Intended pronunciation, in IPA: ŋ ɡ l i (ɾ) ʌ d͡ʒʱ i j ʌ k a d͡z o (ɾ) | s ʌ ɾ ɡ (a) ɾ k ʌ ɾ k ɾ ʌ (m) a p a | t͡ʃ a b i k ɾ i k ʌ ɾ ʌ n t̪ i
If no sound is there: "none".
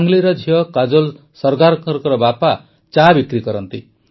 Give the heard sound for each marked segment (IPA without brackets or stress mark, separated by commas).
ɾ, l, a, b